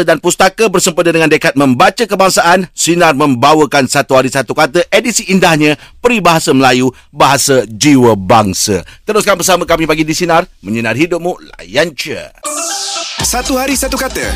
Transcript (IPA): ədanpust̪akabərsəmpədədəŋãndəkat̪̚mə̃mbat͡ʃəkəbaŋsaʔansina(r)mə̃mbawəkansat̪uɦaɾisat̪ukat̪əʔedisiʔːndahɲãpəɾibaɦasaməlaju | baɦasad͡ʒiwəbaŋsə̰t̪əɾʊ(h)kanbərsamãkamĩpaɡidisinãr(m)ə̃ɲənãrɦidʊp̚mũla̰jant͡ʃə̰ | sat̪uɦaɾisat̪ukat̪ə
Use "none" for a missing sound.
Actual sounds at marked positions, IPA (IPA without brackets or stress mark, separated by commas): r, s, m